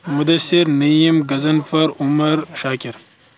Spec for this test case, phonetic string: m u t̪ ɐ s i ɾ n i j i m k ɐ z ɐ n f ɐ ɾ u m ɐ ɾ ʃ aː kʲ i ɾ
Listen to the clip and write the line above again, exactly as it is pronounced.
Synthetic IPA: m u d̪ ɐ s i ɾ n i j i m ɡ ɐ z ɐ n f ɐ ɾ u m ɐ ɾ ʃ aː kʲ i ɾ